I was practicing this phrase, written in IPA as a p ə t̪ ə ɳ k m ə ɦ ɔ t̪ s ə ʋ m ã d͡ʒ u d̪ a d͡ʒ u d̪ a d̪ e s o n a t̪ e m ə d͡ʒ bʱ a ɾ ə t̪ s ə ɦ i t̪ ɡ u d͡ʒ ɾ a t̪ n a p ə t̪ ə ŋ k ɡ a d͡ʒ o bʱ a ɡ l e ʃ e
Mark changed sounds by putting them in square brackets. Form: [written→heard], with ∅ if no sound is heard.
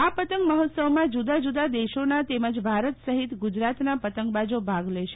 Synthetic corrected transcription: a p ə t̪ ə [ɳ→ŋ] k m ə ɦ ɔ t̪ s ə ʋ m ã d͡ʒ u d̪ a d͡ʒ u d̪ a d̪ e [s→ʃ] o n a t̪ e m ə d͡ʒ bʱ a ɾ ə t̪ s ə ɦ i t̪ ɡ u d͡ʒ ɾ a t̪ n a p ə t̪ ə ŋ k [ɡ→b] a d͡ʒ o bʱ a ɡ l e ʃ e